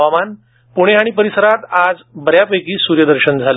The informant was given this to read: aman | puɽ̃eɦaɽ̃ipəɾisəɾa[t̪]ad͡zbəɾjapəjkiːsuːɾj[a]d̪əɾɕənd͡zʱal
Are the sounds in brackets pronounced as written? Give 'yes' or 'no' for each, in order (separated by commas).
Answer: yes, no